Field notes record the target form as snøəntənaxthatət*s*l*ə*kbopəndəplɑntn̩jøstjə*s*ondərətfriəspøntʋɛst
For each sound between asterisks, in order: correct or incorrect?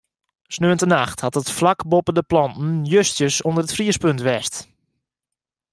incorrect, incorrect, correct

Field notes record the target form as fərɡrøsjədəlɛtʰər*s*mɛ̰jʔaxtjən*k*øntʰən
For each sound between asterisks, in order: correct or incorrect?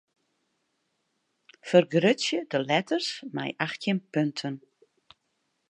correct, incorrect

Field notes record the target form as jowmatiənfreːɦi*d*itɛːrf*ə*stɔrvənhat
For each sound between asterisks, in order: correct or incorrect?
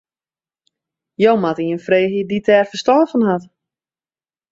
correct, correct

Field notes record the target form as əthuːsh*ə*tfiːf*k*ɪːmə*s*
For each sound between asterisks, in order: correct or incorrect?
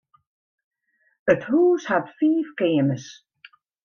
incorrect, correct, correct

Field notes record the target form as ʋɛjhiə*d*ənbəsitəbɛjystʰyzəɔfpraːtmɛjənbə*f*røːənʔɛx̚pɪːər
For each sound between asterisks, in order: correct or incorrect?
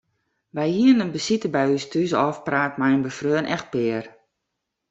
incorrect, correct

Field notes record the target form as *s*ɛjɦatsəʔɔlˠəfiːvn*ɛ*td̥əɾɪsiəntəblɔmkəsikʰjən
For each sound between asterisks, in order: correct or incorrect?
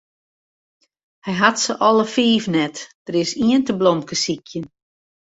incorrect, correct

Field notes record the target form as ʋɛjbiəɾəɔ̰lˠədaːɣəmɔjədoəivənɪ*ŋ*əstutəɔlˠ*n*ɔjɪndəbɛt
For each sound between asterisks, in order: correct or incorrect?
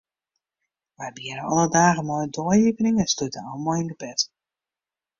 correct, incorrect

